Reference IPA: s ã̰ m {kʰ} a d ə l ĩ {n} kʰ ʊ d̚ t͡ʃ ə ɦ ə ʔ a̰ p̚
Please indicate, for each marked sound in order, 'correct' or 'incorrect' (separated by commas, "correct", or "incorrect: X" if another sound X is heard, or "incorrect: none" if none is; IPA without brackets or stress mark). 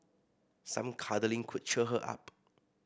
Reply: correct, incorrect: ŋ